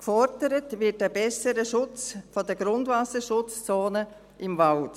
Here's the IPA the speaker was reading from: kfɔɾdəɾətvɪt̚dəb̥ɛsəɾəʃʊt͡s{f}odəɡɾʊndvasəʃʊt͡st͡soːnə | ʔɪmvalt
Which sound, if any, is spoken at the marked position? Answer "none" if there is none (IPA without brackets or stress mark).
f